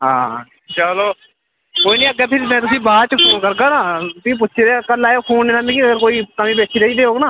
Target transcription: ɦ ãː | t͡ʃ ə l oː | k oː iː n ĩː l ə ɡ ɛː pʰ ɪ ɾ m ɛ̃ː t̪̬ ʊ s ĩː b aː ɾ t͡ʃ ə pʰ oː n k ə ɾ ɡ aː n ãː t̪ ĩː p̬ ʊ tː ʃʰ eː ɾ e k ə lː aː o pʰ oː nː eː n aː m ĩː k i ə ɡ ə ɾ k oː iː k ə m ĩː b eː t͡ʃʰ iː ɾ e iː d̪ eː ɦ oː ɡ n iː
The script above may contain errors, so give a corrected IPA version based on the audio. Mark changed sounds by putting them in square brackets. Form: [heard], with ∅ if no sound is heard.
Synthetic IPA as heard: ɦ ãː | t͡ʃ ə l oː | k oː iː n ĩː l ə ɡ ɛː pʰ ɪ ɾ m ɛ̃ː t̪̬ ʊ s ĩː b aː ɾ t͡ʃ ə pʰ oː n k ə ɾ ɡ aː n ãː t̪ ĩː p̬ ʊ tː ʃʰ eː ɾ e k ə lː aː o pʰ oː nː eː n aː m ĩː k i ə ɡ ə ɾ k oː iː k ə m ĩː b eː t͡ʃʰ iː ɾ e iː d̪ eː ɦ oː ɡ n [aː]

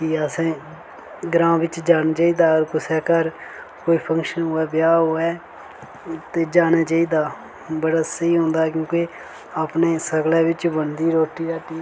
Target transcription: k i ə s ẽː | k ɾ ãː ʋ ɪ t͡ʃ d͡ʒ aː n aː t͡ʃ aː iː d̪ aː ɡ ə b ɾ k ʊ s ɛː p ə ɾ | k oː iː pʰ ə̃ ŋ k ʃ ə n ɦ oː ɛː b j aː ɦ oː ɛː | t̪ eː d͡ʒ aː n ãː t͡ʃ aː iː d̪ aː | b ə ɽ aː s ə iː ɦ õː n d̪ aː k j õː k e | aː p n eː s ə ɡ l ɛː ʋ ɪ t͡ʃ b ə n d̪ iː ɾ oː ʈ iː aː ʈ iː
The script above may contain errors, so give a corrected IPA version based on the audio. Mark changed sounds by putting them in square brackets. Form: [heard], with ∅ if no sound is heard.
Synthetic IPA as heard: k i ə s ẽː | [ɡ] ɾ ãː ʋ ɪ t͡ʃ d͡ʒ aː n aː t͡ʃ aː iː d̪ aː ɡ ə [∅] ɾ k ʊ s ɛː [k] ə ɾ | k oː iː pʰ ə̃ ŋ k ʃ ə n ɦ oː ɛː b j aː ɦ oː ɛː | t̪ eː d͡ʒ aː n [aː] t͡ʃ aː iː d̪ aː | b ə ɽ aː s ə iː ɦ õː n d̪ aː k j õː k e | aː p n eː s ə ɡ l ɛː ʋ ɪ t͡ʃ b ə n d̪ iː ɾ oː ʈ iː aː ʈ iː

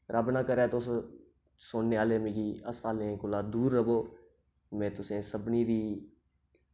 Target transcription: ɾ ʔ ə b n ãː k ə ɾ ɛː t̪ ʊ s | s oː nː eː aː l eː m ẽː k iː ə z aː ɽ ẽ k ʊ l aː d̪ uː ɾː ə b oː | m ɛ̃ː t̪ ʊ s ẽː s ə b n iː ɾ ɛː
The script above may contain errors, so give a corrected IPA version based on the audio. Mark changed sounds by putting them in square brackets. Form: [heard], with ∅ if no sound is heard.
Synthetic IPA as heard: ɾ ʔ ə b n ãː k ə ɾ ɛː t̪ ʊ s | s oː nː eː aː l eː m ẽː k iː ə [s] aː [l] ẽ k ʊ l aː d̪ uː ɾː ə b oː | m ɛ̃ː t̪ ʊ s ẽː s ə b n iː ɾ [iː]

